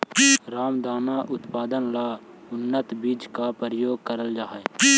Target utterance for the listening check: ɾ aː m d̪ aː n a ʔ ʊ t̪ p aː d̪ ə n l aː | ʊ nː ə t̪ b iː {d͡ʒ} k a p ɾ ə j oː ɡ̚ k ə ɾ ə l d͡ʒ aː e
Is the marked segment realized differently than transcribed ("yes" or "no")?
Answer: no